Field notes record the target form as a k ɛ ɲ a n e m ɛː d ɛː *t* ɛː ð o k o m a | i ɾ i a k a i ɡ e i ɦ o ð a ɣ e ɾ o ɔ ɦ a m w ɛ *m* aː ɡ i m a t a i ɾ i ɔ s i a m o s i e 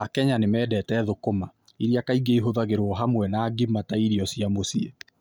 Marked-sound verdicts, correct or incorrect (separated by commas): correct, incorrect